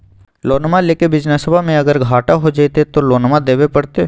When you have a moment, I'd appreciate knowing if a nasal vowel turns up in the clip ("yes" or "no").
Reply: yes